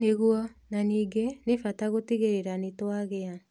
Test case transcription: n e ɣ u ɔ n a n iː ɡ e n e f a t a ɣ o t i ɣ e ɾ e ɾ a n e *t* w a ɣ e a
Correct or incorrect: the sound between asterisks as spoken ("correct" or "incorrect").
correct